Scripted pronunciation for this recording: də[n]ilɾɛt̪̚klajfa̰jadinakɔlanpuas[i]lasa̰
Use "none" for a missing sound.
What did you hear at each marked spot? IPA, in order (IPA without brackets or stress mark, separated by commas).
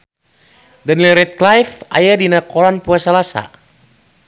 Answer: n, a